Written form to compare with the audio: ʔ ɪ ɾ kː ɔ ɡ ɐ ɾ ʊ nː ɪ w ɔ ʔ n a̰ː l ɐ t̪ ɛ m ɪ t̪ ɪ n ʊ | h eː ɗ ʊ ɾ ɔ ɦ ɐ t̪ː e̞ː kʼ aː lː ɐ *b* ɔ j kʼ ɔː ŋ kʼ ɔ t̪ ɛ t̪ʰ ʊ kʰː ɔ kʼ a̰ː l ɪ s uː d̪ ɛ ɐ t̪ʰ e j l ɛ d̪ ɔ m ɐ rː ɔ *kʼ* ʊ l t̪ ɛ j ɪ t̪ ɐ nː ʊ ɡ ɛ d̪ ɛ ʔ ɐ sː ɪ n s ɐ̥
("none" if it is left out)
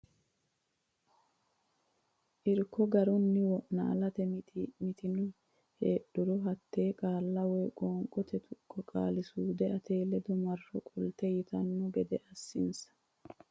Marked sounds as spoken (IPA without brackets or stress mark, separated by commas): w, kʼ